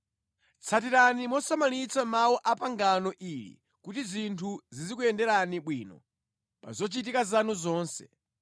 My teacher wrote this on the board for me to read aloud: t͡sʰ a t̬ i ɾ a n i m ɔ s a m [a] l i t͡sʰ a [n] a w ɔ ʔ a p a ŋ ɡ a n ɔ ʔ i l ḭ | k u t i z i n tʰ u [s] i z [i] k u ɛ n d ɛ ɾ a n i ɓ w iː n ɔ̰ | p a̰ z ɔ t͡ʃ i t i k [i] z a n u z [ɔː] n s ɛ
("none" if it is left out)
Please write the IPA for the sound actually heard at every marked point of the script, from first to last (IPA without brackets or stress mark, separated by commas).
a, m, z, i, a, ɔː